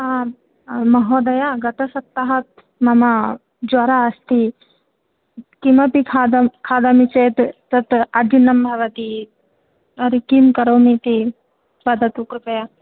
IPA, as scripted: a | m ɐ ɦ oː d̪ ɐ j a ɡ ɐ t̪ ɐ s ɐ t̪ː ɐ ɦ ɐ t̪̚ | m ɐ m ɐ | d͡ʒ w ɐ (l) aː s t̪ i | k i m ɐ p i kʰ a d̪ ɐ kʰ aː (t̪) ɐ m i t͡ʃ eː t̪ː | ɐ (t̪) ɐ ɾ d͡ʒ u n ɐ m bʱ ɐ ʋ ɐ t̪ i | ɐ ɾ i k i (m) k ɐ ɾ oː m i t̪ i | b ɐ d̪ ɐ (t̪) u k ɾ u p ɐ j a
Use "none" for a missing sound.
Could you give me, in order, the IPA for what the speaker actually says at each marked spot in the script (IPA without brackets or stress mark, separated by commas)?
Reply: ɾ, d̪, t̪, m, t̪